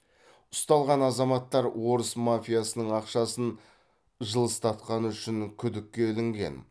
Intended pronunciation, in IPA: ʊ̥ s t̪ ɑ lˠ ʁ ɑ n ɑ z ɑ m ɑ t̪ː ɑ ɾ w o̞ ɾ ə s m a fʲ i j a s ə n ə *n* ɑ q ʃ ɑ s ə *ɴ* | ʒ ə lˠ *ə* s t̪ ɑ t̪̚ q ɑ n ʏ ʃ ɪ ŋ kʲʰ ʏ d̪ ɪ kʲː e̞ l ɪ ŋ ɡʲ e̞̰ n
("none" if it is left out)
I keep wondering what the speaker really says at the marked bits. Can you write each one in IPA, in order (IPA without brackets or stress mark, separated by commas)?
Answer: ɴ, n, ə